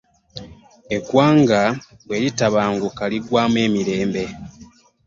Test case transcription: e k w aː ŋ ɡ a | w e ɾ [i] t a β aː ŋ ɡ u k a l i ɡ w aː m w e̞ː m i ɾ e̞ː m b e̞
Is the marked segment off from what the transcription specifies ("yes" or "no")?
no